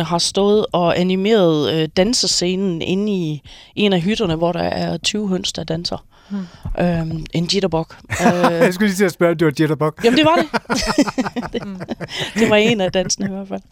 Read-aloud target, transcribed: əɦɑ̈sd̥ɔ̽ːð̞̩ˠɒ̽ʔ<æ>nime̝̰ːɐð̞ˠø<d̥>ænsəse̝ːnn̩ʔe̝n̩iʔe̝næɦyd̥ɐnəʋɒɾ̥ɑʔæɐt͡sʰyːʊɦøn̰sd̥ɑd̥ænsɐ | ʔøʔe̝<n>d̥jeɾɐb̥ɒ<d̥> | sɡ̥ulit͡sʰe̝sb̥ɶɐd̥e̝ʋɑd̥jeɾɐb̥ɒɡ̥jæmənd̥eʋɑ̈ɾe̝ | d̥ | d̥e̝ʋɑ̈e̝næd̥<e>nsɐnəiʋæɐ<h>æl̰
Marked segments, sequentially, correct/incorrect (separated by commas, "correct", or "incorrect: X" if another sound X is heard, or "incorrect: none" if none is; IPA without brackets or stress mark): correct, correct, correct, incorrect: ɡ̥, incorrect: æ, incorrect: f